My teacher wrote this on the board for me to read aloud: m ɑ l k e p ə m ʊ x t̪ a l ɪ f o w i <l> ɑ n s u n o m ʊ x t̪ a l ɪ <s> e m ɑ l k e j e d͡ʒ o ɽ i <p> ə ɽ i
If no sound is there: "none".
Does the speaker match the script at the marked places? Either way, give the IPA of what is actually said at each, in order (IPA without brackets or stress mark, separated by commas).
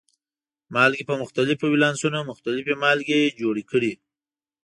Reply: l, f, k